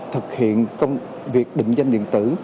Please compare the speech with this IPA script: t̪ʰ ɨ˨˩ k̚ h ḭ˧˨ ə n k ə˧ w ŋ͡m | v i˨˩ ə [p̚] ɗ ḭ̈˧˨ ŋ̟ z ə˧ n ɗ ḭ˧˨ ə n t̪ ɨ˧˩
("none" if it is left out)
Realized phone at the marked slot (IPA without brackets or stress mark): k̚